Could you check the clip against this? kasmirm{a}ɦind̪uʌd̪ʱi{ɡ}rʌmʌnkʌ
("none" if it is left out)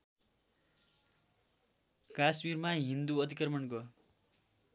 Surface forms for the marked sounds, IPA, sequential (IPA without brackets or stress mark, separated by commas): a, k